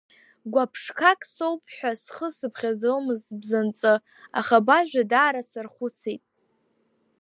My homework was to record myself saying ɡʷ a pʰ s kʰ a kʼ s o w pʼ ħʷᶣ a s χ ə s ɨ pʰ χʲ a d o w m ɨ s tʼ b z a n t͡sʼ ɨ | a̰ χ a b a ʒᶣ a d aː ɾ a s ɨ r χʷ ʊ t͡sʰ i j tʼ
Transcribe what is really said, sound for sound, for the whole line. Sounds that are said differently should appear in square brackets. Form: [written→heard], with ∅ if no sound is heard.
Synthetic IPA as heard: ɡʷ a pʰ [s→ʂ] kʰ a kʼ s o w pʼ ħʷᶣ a s χ ə s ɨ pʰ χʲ a [d→d͡z] o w m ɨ [s→z] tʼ b z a n t͡sʼ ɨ | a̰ χ a b a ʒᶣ a d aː ɾ a s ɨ r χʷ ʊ t͡sʰ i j tʼ